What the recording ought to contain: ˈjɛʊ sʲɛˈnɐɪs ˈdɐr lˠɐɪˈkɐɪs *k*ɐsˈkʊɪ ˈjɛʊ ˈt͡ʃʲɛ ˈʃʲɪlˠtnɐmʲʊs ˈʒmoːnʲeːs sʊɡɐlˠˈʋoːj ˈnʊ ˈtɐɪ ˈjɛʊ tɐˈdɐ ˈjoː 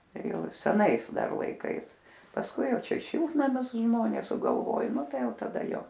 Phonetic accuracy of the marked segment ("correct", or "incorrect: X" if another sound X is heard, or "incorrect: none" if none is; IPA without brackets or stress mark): incorrect: p